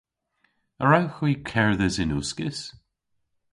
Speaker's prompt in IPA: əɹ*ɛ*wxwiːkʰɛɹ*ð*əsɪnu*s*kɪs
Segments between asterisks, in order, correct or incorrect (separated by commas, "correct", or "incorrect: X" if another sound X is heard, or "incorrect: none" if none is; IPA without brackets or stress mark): incorrect: a, correct, correct